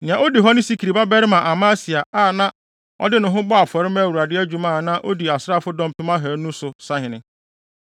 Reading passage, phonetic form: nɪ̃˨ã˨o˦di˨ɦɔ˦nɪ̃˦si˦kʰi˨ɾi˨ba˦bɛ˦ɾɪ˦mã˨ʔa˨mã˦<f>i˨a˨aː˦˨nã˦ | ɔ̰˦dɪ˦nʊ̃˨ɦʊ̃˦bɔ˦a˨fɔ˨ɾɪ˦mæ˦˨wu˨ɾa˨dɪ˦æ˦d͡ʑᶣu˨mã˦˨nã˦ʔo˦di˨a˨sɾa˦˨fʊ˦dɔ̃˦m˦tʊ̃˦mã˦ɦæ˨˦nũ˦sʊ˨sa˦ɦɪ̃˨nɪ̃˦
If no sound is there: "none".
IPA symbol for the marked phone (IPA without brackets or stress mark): s